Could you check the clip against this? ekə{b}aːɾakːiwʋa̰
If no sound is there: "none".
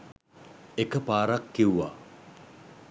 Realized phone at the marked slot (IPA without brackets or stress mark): p